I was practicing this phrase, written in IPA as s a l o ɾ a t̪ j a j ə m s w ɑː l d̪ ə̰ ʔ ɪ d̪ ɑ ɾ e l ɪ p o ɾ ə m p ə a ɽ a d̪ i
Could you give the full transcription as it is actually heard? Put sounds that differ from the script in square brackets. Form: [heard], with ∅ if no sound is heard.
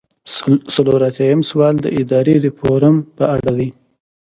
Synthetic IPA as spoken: s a l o ɾ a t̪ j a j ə m s w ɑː l d̪ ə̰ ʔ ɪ d̪ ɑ ɾ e [ɾ] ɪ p o ɾ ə m p ə a ɽ a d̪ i

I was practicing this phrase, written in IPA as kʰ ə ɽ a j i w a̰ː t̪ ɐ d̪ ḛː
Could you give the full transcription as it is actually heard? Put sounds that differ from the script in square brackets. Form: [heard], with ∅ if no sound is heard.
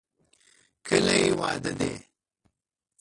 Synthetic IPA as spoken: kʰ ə [l] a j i w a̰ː [d̪] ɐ d̪ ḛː

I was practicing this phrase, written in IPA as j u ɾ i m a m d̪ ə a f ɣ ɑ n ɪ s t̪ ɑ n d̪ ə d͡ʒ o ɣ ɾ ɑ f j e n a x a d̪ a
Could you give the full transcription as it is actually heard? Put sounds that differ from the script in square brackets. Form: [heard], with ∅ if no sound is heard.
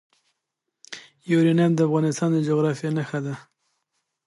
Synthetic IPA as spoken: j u ɾ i [n] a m d̪ ə a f ɣ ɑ n ɪ s t̪ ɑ n d̪ ə d͡ʒ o ɣ ɾ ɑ f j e n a x a d̪ a

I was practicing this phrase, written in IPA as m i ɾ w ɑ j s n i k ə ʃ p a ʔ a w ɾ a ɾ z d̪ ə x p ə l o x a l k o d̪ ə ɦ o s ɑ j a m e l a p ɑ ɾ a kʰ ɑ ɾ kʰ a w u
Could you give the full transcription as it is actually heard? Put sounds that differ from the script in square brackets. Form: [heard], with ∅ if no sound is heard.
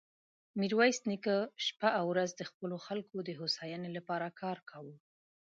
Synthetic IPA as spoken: m i ɾ w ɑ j s n i k ə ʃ p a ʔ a w ɾ a [∅] z d̪ ə x p ə l o x a l k o d̪ ə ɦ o s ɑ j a [n] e l a p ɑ ɾ a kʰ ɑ ɾ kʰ a w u

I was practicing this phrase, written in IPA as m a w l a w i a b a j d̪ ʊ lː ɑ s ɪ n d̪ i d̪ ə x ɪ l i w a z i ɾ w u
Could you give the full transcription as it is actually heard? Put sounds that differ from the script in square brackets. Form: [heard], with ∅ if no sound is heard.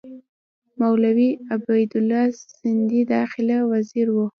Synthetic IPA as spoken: m a w l a w i a b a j d̪ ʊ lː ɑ s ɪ n d̪ i d̪ [ɑ] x ɪ l [a] w a z i ɾ w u

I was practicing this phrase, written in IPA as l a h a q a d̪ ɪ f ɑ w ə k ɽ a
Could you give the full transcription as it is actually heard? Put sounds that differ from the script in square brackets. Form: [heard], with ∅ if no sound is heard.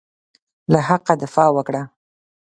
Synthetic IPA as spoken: l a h a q a d̪ ɪ f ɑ w ə k ɽ a

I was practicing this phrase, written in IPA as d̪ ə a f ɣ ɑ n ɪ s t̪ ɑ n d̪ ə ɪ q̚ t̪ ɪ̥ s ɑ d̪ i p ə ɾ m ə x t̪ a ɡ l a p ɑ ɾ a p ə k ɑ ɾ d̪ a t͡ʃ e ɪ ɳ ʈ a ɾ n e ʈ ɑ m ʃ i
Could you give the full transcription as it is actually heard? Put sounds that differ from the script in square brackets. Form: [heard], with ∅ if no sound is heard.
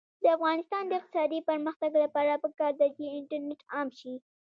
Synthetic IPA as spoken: d̪ ə a f ɣ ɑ n ɪ s t̪ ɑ n d̪ ə ɪ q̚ t̪ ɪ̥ s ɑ d̪ i p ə ɾ m ə x t̪ a ɡ l a p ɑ ɾ a p ə k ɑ ɾ d̪ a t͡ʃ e ɪ ɳ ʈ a ɾ n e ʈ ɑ m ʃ i

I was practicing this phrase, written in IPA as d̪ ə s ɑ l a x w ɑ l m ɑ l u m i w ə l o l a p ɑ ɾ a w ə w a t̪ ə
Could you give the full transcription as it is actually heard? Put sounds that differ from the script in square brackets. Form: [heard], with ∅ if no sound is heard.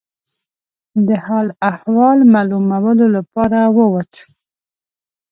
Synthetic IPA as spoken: d̪ ə [h] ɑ l a [h] w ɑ l m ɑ l u m [a] w ə l o l a p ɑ ɾ a w ə w a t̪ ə

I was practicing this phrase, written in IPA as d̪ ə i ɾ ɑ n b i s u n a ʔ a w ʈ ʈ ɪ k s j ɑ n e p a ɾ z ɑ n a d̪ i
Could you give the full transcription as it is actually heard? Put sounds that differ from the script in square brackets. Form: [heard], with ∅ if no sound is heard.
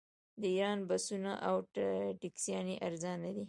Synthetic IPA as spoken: d̪ ə i ɾ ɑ n b [a] s u n a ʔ a w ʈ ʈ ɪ k s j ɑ n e [ʔ] a ɾ z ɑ n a d̪ i

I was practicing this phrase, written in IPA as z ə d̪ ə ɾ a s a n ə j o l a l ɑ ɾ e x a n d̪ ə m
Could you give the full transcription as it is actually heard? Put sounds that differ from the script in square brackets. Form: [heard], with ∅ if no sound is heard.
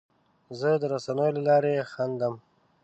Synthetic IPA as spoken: z ə d̪ ə ɾ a s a n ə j o l a l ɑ ɾ e x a n d̪ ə m

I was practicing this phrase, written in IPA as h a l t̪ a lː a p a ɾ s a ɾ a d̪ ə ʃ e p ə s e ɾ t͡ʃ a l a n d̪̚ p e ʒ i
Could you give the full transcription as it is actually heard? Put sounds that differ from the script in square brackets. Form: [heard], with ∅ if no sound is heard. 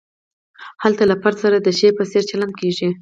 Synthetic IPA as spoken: h a l t̪ a [l] a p a ɾ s a ɾ a d̪ ə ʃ e p ə s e ɾ t͡ʃ a l a n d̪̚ [k] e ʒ i

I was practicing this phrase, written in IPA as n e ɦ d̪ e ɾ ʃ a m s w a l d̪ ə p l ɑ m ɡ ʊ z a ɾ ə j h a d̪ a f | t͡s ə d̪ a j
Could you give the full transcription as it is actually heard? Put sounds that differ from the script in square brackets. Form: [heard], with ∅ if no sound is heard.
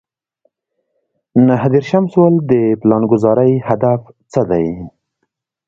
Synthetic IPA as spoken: n [a] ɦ d̪ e ɾ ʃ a m s w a l d̪ ə p l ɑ [n] ɡ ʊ z [ɑ] ɾ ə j h a d̪ a f | t͡s ə d̪ a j

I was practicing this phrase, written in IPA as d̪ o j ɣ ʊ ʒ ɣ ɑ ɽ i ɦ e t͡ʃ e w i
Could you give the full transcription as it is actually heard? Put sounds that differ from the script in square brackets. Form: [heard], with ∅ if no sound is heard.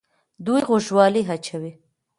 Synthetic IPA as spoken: d̪ [u] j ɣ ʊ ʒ [w] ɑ [l] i ɦ [a] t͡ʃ [a] w i

